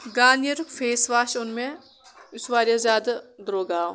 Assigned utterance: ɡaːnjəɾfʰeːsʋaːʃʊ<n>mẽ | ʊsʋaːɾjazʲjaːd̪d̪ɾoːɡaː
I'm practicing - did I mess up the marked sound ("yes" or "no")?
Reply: no